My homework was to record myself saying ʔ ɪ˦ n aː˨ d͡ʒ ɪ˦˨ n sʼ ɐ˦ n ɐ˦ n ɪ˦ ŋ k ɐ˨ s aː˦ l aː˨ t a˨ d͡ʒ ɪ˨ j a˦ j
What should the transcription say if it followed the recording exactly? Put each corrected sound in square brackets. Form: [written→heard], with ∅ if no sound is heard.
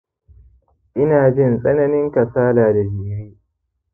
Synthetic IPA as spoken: ʔ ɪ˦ n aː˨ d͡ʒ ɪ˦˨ n sʼ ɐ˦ n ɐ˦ n ɪ˦ ŋ k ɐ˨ s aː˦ l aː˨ [t→d] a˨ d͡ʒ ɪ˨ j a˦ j